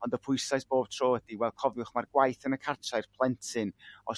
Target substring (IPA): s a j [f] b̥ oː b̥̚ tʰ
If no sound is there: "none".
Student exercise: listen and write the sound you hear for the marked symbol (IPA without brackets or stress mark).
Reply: s